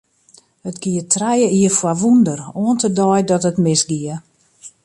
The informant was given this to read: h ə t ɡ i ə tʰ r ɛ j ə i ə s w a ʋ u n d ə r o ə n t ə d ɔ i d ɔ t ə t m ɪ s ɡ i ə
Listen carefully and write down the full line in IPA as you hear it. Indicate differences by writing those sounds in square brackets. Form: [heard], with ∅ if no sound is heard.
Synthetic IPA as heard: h ə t ɡ i ə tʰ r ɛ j ə i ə [f] w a ʋ u n d ə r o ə n t ə d ɔ [j] d ɔ t ə t m ɪ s ɡ i ə